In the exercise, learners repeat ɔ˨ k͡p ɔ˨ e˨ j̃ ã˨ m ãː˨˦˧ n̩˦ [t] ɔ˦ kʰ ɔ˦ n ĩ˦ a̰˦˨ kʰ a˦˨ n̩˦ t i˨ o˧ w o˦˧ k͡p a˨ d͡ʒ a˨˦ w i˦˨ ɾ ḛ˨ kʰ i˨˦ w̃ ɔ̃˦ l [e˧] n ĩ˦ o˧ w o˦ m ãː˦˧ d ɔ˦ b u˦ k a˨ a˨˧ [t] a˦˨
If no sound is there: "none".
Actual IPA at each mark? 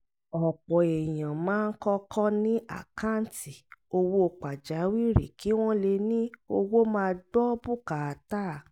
k, e˧, t

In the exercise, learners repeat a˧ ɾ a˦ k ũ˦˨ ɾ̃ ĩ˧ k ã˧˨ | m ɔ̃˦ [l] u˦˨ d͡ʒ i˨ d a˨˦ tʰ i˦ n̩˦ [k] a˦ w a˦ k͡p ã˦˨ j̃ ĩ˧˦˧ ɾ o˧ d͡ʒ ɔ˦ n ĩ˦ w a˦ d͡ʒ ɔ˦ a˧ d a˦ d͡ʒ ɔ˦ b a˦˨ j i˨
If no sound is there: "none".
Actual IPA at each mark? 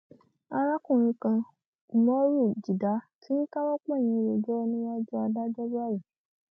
ɾ, k

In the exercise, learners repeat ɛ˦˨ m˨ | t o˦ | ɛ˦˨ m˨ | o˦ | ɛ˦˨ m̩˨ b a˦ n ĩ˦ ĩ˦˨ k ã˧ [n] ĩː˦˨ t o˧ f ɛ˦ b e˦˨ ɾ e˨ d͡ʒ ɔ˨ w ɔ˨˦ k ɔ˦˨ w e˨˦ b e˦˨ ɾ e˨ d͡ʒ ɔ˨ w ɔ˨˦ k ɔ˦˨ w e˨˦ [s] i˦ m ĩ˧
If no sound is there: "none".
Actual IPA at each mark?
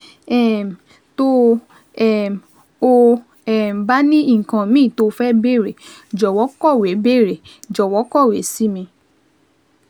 m, s

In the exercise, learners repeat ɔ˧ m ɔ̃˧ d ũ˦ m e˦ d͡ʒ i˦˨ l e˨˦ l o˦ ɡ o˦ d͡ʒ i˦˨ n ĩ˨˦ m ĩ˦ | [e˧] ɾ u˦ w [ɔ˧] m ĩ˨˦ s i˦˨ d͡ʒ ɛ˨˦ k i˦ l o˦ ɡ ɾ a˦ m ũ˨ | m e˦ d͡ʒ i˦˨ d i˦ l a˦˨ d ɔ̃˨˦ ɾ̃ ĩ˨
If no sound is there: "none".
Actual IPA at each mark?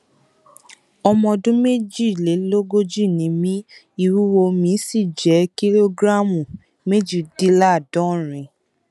i˧, o˧

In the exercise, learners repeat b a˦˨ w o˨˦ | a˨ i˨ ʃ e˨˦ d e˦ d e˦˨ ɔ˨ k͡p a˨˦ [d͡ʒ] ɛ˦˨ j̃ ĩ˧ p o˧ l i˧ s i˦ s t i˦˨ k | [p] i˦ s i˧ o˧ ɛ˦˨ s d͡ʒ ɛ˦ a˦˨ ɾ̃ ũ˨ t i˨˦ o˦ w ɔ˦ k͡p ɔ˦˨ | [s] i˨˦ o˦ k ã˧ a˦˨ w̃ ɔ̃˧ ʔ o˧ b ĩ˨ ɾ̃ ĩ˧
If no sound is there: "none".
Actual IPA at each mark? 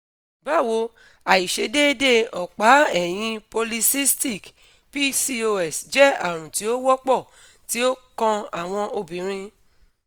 none, p, t

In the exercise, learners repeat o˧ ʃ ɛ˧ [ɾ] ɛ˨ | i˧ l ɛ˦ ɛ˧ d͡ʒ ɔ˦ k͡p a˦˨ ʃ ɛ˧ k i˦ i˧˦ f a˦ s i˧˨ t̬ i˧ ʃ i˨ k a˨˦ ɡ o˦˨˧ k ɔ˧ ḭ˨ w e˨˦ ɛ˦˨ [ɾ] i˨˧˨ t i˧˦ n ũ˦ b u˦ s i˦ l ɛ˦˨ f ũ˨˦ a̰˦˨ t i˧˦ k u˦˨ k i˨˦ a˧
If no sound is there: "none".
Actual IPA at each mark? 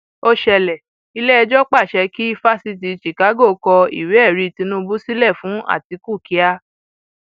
l, ɾ

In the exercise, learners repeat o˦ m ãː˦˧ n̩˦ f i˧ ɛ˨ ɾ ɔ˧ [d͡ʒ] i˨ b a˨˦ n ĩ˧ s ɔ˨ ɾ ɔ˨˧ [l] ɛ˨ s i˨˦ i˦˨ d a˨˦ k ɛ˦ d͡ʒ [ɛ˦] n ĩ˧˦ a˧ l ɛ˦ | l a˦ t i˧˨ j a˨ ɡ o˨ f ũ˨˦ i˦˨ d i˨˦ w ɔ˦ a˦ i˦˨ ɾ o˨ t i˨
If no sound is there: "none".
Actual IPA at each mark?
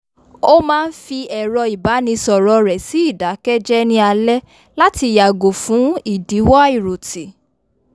none, ɾ, ɛ˦

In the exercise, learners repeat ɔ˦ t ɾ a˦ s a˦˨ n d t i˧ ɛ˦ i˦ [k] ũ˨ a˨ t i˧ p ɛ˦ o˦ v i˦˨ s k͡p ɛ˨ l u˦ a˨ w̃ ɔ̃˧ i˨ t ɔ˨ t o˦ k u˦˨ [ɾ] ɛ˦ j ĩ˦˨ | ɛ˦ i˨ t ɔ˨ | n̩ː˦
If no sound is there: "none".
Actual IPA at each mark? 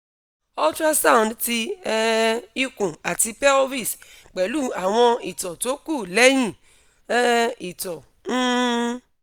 k, l

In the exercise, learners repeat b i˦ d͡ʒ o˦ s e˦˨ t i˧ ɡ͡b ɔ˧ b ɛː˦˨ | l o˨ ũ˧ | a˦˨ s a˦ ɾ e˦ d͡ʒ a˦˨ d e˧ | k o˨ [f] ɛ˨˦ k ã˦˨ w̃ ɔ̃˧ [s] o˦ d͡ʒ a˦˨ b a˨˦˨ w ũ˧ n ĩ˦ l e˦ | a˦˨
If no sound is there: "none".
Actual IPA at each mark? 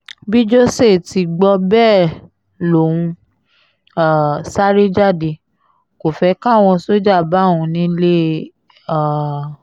f, s

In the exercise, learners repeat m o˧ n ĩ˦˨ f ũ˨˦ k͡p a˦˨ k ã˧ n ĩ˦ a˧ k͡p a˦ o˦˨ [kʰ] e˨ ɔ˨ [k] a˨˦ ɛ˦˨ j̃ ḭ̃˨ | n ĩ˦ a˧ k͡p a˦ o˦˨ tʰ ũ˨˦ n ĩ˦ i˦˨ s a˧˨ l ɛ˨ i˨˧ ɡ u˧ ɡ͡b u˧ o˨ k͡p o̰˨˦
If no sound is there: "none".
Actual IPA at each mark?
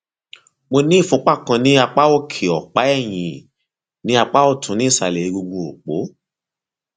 kʰ, k͡p

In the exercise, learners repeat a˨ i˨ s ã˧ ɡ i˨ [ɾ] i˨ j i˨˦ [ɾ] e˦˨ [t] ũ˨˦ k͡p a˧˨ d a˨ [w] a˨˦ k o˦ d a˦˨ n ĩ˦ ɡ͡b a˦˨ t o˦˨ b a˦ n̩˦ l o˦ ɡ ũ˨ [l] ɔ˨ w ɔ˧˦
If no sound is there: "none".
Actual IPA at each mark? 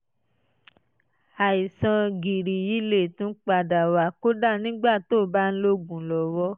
ɾ, l, t, w, l

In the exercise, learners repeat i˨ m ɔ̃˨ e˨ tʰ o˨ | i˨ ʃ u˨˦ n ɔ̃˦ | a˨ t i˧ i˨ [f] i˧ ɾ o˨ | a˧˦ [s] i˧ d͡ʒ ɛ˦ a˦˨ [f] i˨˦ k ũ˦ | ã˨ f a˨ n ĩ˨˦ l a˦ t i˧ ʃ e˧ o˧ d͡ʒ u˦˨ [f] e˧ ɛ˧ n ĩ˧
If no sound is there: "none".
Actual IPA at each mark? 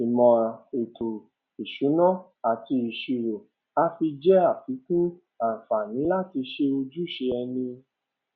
ʃ, f, f, ʃ

